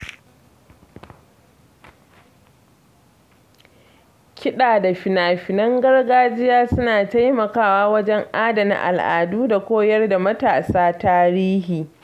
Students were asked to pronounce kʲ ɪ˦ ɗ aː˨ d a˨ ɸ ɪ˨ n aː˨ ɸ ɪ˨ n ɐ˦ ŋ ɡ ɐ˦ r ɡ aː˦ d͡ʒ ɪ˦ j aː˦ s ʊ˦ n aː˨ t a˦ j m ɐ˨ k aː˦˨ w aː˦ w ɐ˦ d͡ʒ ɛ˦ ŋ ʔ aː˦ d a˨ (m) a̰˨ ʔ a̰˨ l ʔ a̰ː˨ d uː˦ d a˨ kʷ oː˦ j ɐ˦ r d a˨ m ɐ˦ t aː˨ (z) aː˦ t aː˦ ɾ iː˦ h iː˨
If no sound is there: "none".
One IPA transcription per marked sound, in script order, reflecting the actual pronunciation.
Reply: n, s

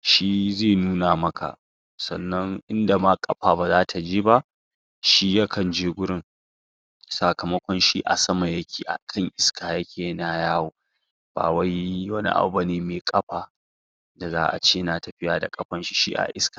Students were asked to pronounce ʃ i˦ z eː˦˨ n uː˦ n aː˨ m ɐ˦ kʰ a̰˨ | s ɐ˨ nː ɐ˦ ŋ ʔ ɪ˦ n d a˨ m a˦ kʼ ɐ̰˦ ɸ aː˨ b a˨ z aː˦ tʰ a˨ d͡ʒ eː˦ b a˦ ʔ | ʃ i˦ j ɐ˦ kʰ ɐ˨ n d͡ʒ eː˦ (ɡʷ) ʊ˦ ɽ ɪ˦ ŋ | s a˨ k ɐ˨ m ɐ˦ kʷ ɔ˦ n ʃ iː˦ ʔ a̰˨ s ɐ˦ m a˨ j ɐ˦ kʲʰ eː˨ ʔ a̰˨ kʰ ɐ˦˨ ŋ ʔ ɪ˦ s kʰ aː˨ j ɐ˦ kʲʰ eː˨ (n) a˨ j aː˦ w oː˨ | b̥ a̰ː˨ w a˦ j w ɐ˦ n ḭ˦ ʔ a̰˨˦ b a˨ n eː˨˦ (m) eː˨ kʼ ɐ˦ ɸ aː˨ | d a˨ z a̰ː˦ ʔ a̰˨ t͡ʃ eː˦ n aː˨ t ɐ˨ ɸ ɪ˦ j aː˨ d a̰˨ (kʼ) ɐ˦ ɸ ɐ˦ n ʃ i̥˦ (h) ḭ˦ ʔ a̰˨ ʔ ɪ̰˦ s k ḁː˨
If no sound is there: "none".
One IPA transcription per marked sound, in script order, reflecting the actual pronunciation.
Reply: ɡʷ, n, m, kʼ, ʃ

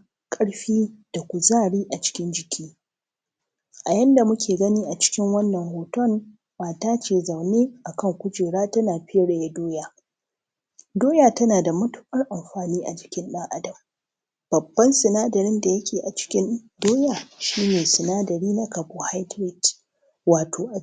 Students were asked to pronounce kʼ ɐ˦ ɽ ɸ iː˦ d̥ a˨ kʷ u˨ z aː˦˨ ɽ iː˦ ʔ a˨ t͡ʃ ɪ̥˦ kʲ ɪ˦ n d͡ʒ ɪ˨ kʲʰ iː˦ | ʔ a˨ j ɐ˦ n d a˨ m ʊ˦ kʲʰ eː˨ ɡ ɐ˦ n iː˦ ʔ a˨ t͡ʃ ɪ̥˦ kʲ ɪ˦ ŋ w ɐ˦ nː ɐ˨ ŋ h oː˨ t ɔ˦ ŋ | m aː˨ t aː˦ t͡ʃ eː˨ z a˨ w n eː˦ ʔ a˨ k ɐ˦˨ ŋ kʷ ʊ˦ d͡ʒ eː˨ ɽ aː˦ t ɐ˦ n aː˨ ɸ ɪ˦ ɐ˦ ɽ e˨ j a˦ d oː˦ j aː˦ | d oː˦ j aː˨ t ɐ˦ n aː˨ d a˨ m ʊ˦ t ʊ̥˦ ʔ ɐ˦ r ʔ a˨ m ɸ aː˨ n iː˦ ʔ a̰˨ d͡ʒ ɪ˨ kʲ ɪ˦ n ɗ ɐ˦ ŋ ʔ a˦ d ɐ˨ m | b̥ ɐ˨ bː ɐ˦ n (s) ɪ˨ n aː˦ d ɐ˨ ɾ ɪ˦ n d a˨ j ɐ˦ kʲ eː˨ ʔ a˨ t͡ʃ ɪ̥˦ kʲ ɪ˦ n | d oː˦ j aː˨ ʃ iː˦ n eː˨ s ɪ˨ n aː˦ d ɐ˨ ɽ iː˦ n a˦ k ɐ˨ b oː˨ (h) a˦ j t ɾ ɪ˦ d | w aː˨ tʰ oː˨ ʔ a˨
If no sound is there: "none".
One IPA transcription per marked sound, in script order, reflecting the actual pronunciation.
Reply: s, h

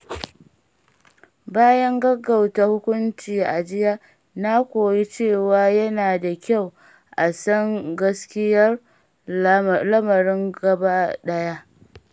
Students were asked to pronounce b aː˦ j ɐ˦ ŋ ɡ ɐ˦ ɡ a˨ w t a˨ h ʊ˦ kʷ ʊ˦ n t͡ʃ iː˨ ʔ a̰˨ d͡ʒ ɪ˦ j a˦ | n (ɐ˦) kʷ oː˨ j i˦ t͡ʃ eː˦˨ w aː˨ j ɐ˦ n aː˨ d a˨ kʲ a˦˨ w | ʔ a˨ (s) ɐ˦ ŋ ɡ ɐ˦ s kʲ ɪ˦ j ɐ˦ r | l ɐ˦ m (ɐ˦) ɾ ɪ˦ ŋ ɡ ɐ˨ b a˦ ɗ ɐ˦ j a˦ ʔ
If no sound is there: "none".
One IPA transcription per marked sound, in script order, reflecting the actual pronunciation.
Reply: a˦, s, ɐ˨

